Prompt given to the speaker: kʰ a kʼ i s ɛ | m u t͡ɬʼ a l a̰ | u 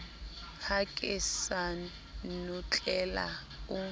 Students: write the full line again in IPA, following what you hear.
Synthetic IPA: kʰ a kʼ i s a | n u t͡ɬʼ ɛ l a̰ | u